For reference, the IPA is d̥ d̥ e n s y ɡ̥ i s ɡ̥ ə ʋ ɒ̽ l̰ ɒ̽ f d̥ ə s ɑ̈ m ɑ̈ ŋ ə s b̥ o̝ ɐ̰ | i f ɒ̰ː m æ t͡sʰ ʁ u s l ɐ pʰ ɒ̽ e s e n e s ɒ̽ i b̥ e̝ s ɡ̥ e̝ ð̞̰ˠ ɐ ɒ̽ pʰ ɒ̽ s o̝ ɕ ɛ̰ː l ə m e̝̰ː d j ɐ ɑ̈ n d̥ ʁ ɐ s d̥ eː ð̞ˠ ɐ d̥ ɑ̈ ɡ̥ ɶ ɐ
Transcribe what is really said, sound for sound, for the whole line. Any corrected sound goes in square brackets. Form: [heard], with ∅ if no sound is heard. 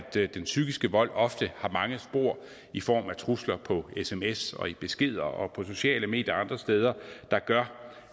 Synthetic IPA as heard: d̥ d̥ e n s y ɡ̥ i s ɡ̥ ə ʋ ɒ̽ l̰ ɒ̽ f d̥ ə [h] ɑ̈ m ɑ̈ ŋ ə s b̥ o̝ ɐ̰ | i f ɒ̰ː m æ t͡sʰ ʁ u s l ɐ pʰ ɒ̽ e s e [m] e s ɒ̽ i b̥ e̝ s ɡ̥ e̝ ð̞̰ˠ ɐ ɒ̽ pʰ ɒ̽ s o̝ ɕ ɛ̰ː l ə m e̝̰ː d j ɐ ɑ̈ n d̥ ʁ ɐ s d̥ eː ð̞ˠ ɐ d̥ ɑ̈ ɡ̥ ɶ ɐ